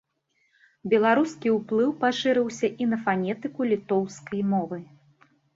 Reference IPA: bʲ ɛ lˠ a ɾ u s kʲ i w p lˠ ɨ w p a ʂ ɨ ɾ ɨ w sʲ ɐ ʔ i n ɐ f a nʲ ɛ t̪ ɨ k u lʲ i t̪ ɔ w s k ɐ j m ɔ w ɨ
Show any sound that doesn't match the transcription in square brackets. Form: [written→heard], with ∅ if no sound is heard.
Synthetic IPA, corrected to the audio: bʲ ɛ lˠ a ɾ u s kʲ i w p lˠ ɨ w p a ʂ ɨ ɾ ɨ w sʲ ɐ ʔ i n ɐ f a nʲ ɛ t̪ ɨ k u lʲ i t̪ ɔ w s k ɐ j m ɔ [w→v] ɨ